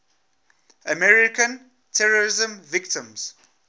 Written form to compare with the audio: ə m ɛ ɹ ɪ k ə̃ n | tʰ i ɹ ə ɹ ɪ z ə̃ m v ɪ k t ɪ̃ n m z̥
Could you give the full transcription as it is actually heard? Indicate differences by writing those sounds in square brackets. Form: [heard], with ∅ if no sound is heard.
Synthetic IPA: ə m ɛ ɹ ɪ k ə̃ n | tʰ [ɛ] ɹ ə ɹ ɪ z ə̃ m v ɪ k t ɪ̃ [∅] m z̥